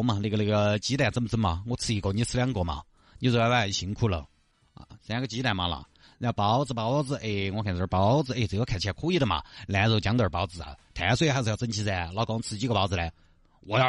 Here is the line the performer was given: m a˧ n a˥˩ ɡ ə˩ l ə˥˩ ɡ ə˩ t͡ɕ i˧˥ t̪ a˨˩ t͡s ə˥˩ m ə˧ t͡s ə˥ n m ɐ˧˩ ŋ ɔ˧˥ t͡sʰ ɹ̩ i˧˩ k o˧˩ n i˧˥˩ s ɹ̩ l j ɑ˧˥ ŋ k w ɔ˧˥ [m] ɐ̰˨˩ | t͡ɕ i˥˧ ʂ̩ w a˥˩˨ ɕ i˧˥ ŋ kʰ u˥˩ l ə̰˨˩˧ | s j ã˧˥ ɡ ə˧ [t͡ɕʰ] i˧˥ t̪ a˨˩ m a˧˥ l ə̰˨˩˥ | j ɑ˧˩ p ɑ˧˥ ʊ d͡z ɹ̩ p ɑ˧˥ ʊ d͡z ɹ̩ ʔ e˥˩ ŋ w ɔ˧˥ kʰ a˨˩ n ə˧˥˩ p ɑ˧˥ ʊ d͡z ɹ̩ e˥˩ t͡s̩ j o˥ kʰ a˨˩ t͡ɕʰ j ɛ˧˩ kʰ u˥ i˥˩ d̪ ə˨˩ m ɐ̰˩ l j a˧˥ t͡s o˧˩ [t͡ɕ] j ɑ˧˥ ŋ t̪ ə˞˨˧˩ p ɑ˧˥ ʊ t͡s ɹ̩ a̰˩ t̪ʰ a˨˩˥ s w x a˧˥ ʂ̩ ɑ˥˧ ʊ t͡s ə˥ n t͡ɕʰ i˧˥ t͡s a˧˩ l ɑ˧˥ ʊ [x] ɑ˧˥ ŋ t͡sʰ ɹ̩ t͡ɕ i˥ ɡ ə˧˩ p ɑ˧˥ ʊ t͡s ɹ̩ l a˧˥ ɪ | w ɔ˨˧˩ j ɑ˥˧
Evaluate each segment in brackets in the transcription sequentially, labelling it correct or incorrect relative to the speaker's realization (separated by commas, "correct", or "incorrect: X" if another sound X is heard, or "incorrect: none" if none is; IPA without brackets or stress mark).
correct, incorrect: t͡ɕ, correct, incorrect: k